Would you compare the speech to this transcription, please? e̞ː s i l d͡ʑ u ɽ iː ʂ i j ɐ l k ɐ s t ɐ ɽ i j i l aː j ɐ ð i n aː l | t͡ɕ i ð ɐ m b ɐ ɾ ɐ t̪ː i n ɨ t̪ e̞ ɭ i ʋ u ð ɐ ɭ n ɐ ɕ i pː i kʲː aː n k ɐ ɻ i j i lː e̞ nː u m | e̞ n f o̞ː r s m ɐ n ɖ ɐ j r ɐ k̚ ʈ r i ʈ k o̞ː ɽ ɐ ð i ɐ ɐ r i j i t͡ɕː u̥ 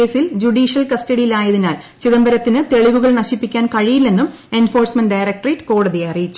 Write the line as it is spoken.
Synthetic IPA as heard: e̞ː s i l d͡ʑ u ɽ iː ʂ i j ɐ l k ɐ s t ɐ ɽ i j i l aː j ɐ ð i n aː l | t͡ɕ i ð ɐ m b ɐ ɾ ɐ t̪ː i n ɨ t̪ e̞ ɭ i ʋ u ɣ ɐ ɭ n ɐ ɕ i pː i kʲː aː n k ɐ ɻ i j i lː e̞ nː u m | e̞ n f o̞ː r s m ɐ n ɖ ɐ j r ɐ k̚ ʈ r i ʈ k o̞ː ɽ ɐ ð i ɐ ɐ r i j i t͡ɕː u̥